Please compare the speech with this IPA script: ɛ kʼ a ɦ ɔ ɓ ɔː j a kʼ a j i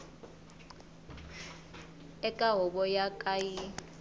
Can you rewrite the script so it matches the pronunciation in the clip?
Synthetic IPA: ɛ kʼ a ɦ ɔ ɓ ɔ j a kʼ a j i